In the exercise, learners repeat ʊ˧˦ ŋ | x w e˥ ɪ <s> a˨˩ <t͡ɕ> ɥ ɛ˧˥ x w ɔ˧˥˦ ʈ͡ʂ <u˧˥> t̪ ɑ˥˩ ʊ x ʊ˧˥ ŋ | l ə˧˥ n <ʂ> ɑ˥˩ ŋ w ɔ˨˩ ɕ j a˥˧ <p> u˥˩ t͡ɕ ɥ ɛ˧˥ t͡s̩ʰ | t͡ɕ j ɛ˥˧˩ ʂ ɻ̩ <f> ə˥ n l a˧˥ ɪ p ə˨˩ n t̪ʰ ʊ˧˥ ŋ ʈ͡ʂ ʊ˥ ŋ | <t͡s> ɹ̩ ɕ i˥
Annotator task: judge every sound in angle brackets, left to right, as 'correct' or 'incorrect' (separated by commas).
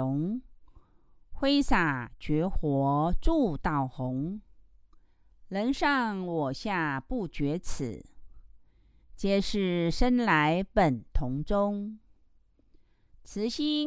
correct, correct, incorrect, correct, correct, incorrect, incorrect